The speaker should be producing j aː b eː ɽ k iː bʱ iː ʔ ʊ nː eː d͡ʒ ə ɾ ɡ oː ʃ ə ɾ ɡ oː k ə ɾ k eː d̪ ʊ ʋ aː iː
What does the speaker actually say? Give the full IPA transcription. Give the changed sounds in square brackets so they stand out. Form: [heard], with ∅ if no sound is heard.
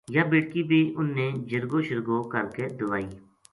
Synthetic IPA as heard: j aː b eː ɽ k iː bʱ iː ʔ ʊ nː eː d͡ʒ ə ɾ ɡ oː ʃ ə ɾ ɡ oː k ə ɾ k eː d̪ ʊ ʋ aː iː